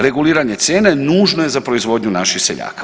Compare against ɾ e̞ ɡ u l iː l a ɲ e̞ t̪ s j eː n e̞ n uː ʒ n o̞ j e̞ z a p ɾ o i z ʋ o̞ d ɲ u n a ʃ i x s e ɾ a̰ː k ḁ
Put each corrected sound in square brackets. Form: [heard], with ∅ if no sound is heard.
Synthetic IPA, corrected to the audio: ɾ e̞ ɡ u l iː [ɾ] a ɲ e̞ t̪ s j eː n e̞ n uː ʒ n o̞ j e̞ z a p ɾ o i z ʋ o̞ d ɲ u n a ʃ i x s e [ʎ] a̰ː k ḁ

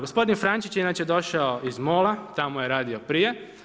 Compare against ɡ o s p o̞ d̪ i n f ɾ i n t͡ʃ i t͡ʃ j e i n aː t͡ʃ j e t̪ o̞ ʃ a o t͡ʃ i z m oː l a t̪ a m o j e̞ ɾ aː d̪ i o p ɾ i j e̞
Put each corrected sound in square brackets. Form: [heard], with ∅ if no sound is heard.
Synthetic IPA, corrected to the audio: ɡ o s p o̞ d̪ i n f ɾ [a] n t͡ʃ i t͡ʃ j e i n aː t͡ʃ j e [d̪] o̞ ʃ a o [∅] i z m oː l a t̪ a m o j e̞ ɾ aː d̪ i o p ɾ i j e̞

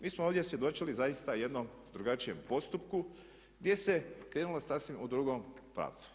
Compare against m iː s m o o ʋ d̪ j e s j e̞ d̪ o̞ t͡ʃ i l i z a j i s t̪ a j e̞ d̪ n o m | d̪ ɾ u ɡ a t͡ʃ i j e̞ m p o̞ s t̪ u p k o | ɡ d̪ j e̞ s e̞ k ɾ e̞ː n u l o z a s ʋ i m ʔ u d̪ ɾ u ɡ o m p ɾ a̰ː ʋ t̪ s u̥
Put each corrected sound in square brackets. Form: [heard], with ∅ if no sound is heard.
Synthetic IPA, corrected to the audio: m iː s m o o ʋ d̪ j e s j e̞ d̪ o̞ t͡ʃ i l i z a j i s t̪ a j e̞ d̪ n o m | d̪ ɾ u ɡ a t͡ʃ i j e̞ m p o̞ s t̪ u p k [u] | ɡ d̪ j e̞ s e̞ k ɾ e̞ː n u l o [s] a s ʋ i m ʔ u d̪ ɾ u ɡ o m p ɾ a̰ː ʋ t̪ s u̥

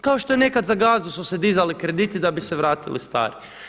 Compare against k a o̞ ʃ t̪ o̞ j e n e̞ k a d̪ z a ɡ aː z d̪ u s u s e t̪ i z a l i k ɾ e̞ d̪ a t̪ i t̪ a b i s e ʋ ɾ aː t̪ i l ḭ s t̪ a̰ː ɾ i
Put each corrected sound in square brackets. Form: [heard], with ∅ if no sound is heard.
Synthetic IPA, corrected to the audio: k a o̞ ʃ t̪ o̞ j e n e̞ k a d̪ z a ɡ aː z d̪ u s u s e [d̪] i z a l i k ɾ e̞ d̪ [i] t̪ i [d̪] a b i s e ʋ ɾ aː t̪ i l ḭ s t̪ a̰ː ɾ i

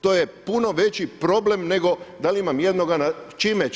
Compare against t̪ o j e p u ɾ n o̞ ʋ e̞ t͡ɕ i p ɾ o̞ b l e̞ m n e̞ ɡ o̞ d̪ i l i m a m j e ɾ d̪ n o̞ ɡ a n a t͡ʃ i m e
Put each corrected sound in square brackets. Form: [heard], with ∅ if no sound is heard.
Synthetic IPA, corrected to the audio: t̪ o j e p u [∅] n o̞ ʋ e̞ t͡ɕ i p ɾ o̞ b l e̞ m n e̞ ɡ o̞ d̪ [a] l i m a m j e [∅] d̪ n o̞ ɡ a n a t͡ʃ i m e

